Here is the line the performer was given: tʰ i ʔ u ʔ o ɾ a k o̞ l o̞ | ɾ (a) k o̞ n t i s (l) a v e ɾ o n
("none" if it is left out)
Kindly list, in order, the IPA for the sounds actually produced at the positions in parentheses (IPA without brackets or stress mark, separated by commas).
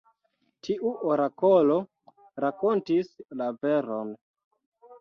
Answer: a, l